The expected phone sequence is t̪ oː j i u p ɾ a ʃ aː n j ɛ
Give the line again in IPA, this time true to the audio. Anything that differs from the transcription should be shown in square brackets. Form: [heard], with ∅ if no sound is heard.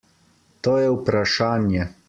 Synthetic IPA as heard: t̪ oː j [ɛ] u p ɾ a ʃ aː n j ɛ